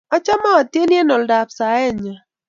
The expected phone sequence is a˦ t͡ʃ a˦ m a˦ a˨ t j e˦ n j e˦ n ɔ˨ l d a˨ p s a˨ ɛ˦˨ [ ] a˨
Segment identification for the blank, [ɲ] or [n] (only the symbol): ɲ